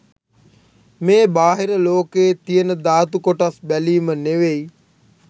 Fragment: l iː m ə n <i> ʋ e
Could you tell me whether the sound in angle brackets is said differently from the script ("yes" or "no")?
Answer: yes